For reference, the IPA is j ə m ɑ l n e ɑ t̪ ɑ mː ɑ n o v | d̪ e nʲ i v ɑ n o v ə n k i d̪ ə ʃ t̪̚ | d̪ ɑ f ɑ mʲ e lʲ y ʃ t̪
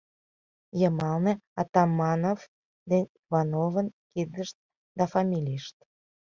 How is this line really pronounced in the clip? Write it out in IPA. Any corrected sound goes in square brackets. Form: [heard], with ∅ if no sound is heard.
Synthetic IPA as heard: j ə m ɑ l n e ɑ t̪ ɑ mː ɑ n o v | d̪ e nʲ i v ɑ n o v ə n k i d̪ ə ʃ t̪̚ | d̪ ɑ f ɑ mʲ [i] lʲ [i] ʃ t̪

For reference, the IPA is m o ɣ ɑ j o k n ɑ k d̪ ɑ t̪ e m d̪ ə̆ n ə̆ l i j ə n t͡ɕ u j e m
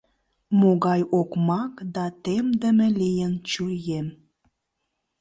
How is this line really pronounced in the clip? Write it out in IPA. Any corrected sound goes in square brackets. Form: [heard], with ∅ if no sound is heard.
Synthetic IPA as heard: m o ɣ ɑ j o k [m] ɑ k d̪ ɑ t̪ e m d̪ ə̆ [m] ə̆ l i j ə n t͡ɕ u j e m

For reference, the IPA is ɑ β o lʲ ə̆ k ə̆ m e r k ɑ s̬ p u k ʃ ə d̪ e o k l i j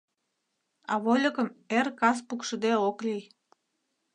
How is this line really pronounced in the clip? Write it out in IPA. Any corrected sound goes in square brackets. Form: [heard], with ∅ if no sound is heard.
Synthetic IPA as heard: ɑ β o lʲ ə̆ k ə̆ m e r k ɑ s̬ p u k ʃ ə d̪ e o k l i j

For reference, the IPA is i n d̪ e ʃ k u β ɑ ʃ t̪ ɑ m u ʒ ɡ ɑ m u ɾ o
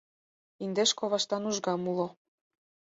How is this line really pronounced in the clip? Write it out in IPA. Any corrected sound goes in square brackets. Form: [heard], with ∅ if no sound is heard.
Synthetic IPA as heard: i n d̪ e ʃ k [o] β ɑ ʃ t̪ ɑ [n] u ʒ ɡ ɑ m u [l] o

